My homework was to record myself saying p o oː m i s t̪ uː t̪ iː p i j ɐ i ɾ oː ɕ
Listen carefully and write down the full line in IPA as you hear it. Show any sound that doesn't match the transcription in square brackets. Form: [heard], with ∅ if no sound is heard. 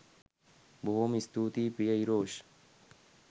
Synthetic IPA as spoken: [b] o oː m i s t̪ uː t̪ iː p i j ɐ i ɾ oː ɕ